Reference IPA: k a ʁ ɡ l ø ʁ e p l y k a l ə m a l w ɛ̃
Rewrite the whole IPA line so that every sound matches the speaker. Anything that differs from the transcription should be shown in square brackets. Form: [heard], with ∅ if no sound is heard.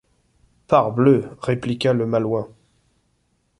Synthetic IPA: [p] a ʁ [b] l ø ʁ e p l [i] k a l ə m a l w ɛ̃